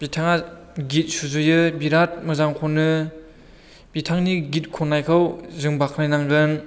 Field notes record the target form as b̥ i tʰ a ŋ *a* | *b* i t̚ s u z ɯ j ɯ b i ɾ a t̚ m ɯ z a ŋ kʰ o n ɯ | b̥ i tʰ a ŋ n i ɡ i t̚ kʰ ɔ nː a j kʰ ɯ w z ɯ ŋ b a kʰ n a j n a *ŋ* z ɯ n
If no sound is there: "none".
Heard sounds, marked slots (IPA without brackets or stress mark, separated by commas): a, ɡ, ŋ